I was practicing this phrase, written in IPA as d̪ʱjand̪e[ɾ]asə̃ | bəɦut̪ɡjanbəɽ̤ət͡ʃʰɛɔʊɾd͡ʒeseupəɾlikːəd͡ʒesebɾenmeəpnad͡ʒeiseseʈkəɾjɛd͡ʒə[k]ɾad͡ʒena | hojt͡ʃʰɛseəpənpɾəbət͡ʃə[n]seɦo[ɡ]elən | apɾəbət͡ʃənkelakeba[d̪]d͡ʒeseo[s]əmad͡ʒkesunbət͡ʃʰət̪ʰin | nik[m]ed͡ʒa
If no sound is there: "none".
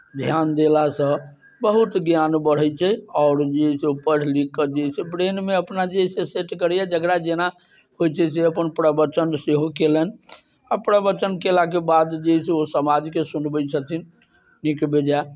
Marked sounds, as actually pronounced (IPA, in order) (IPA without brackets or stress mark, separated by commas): l, ɡ, n, k, d̪, s, b